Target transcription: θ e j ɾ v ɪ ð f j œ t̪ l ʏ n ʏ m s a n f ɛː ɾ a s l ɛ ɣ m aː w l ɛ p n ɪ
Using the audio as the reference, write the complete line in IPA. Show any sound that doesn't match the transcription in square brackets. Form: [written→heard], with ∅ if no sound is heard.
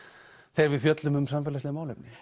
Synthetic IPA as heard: θ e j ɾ v ɪ ð f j œ t̪ l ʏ [n→m] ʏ m s a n f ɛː [ɾ→l] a s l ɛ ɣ m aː w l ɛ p n ɪ